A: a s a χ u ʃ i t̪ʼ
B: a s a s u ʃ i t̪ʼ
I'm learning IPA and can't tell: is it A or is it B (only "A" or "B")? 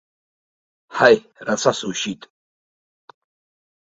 B